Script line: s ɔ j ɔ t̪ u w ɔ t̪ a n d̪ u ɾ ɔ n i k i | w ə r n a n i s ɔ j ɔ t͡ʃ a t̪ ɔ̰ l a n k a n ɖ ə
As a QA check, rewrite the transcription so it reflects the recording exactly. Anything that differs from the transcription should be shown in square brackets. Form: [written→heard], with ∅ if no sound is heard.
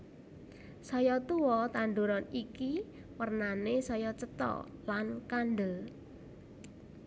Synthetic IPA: s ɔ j ɔ t̪ u w ɔ t̪ a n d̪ u ɾ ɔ n i k i | w ə r n a n [i→e] s ɔ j ɔ t͡ʃ [a→ə] t̪ ɔ̰ l a n k a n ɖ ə